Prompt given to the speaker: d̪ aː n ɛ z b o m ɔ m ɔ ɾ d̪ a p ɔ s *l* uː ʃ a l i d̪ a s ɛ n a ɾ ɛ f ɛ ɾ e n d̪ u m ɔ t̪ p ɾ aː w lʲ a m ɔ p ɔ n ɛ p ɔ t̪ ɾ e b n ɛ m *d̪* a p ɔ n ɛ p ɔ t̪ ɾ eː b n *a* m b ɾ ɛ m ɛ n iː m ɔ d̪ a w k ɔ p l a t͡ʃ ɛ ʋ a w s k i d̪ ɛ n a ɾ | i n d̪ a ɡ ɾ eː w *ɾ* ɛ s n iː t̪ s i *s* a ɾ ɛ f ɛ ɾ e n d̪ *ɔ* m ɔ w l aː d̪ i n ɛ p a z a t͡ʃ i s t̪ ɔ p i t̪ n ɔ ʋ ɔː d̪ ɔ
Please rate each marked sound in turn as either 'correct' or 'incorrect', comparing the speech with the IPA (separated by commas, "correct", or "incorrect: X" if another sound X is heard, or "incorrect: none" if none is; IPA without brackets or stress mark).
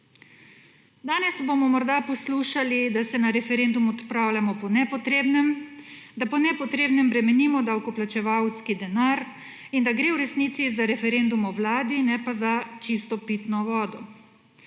correct, correct, incorrect: ɛ, correct, incorrect: z, incorrect: u